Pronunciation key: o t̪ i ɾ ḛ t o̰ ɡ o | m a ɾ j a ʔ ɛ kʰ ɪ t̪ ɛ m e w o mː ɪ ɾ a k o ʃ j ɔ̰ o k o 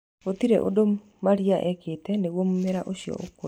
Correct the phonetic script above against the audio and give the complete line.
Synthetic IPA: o t̪ i ɾ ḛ ʔ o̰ d o | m a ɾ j a ʔ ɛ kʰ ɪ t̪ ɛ n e w o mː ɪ ɾ a ʔ o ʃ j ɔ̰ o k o